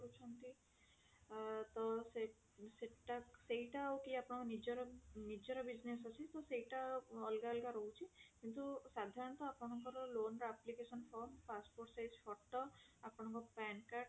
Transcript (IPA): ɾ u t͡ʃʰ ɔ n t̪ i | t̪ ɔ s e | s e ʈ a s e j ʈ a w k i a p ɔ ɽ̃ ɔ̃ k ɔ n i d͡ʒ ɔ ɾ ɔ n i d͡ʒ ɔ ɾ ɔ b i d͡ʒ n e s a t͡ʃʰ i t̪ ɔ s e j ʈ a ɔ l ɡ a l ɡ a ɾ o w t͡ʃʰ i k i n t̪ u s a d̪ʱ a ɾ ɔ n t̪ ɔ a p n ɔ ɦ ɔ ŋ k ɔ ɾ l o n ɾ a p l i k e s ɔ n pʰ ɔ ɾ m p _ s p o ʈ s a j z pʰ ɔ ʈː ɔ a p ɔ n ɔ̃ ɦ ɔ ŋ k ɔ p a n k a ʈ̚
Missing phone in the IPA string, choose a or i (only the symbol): a